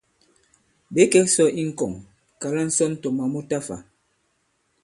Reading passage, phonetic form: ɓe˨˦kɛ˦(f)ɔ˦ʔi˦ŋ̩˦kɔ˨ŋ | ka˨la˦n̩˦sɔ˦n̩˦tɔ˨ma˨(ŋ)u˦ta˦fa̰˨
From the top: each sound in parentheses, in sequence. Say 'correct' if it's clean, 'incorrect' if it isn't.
incorrect, incorrect

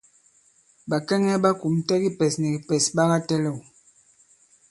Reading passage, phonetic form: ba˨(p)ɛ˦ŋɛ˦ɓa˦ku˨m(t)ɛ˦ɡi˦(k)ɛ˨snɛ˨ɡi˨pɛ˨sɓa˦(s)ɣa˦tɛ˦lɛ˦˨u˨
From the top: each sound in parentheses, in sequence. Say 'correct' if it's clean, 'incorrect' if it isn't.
incorrect, correct, incorrect, incorrect

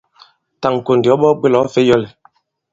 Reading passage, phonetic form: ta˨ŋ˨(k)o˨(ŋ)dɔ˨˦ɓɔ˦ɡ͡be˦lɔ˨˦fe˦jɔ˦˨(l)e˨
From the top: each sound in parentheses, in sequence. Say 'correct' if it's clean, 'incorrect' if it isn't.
correct, incorrect, correct

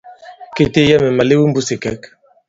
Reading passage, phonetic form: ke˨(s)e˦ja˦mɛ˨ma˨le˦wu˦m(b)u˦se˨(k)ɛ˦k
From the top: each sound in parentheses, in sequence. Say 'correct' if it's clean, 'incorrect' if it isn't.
incorrect, correct, correct

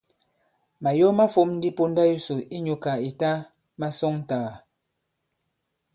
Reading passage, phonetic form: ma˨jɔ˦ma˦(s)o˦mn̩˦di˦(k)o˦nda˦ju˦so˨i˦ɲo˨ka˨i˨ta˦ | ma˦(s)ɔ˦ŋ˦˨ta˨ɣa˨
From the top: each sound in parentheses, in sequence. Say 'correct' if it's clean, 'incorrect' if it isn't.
incorrect, incorrect, correct

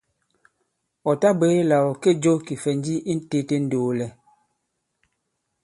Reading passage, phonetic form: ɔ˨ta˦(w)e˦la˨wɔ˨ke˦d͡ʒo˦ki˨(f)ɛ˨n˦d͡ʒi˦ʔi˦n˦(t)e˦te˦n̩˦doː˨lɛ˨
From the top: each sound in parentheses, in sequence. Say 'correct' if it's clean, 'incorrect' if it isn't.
incorrect, correct, correct

